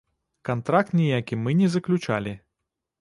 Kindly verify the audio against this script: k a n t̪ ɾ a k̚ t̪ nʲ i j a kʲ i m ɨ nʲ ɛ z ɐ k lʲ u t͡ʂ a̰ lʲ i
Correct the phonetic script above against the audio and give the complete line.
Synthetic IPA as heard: k a n t̪ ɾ a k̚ t̪ nʲ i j a kʲ i m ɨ nʲ ɛ z ɐ k lʲ u t͡ʂ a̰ lʲ i